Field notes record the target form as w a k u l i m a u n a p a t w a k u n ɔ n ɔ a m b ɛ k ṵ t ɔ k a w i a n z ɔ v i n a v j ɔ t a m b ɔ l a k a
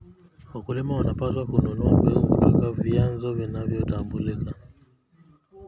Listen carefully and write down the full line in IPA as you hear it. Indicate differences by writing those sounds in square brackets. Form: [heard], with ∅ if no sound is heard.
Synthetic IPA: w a k u l i m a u n a p a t w a k u n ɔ n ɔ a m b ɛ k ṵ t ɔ k a [v] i a n z ɔ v i n a v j ɔ t a m b [u] l [i] k a